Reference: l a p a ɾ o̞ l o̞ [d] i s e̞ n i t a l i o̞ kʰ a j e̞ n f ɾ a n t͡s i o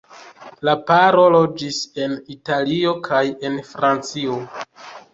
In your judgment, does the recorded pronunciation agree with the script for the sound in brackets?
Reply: no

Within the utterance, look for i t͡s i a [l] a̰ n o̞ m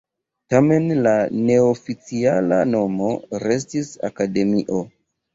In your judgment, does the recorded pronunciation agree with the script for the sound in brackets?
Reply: yes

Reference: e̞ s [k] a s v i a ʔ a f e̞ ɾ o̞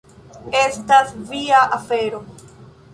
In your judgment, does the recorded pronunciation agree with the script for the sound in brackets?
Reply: no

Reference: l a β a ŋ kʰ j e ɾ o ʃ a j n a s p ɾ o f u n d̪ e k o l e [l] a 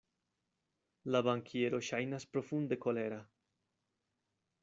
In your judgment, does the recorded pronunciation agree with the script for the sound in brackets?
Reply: no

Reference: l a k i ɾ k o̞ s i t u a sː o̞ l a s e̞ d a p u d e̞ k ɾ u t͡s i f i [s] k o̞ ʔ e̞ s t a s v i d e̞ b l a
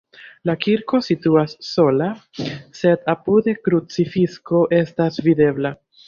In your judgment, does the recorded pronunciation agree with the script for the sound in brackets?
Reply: yes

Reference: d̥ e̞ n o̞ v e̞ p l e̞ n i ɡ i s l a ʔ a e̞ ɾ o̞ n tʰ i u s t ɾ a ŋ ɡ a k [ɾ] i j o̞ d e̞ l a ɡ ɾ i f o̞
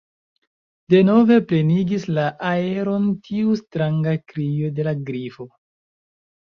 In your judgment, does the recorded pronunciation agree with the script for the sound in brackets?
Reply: yes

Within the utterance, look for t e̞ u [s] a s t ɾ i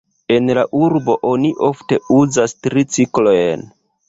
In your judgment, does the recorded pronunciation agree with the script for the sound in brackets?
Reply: no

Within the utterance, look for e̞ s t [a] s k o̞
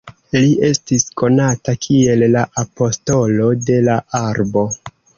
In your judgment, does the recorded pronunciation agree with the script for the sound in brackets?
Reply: no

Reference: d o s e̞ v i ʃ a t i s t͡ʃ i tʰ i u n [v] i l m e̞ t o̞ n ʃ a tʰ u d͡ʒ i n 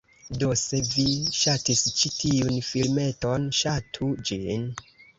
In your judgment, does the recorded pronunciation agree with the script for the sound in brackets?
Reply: no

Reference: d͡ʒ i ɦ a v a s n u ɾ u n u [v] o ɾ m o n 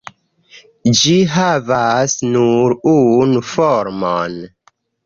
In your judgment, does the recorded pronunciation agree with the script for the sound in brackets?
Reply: no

